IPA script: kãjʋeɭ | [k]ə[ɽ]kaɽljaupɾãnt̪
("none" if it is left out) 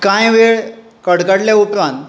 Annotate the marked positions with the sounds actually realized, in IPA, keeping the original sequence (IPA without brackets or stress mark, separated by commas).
k, ɽ